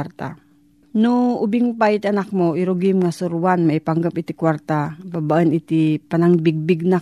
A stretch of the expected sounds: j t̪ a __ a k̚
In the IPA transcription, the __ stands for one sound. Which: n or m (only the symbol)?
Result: n